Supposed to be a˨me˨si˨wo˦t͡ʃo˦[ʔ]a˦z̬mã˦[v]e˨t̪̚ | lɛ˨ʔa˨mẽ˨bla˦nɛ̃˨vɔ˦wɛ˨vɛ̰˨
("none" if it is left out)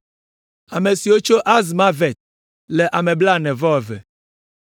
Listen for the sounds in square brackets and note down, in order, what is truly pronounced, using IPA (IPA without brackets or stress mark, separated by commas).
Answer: ʔ, v